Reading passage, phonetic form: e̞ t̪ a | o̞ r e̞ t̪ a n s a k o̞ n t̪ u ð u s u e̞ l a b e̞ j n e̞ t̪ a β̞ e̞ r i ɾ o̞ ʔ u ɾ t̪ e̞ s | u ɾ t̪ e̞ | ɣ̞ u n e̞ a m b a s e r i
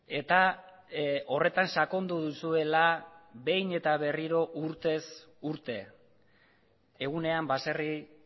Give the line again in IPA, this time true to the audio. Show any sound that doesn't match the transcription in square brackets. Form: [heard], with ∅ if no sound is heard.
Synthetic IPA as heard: e̞ t̪ a | o̞ r e̞ t̪ a n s a k o̞ n [d̪] u ð u s u e̞ l a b e̞ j n e̞ t̪ a β̞ e̞ r i ɾ o̞ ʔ u ɾ t̪ e̞ s | u ɾ t̪ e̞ | ɣ̞ u n e̞ a m b a s e r i